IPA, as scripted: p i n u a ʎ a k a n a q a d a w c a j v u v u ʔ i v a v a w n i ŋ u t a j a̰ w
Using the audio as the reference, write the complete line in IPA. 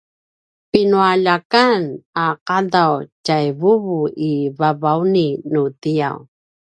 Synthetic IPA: p i n u a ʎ a k a n a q a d a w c a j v u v u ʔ i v a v a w n i n u t i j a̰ w